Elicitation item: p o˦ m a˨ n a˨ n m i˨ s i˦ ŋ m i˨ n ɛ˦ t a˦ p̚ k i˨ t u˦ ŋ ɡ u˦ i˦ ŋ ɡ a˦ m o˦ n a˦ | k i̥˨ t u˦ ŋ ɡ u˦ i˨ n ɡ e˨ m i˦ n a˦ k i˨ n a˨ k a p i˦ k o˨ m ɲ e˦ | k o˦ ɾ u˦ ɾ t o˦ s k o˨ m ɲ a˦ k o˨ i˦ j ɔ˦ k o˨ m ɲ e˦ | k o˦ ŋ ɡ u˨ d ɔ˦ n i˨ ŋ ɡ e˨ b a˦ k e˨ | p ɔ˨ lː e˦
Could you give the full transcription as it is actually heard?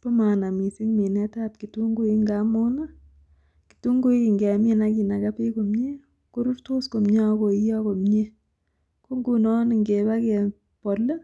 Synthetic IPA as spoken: p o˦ m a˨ n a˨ m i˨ s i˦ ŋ m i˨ n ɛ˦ t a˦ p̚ k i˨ t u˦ ŋ ɡ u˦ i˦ ŋ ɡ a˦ m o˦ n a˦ | k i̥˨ t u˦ ŋ ɡ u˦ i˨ ŋ ɡ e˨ m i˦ n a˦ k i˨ n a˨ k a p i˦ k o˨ m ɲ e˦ | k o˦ ɾ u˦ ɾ t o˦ s k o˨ m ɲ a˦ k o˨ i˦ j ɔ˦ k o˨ m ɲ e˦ | k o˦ ŋ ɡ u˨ n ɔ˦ n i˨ ŋ ɡ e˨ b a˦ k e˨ | p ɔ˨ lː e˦